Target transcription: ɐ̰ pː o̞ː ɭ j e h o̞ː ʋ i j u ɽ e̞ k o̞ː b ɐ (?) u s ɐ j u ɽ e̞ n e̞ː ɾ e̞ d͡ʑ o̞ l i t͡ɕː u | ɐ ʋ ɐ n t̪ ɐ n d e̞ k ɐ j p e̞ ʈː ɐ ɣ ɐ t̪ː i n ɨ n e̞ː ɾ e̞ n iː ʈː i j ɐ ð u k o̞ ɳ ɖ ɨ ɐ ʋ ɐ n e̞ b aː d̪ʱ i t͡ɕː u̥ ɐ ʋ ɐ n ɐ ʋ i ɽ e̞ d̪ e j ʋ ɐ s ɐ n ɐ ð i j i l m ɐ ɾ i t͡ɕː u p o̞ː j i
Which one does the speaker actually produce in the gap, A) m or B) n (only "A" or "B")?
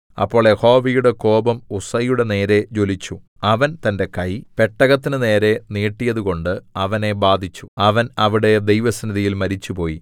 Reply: A